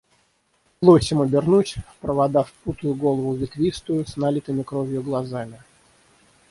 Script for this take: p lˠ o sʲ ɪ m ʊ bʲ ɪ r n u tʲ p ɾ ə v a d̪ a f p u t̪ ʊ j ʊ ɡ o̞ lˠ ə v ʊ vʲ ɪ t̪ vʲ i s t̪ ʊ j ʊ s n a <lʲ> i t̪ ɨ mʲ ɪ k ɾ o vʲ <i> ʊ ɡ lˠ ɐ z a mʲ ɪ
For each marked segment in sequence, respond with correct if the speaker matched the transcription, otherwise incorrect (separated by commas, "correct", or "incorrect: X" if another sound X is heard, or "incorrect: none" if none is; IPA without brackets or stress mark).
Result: correct, incorrect: j